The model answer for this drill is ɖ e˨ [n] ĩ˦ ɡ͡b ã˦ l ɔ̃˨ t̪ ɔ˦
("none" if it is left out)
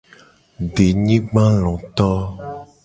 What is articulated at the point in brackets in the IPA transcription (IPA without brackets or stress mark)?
ɲ